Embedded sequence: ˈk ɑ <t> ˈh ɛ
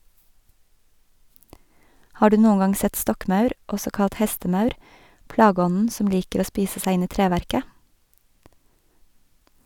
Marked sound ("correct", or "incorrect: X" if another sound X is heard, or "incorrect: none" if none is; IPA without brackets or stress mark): correct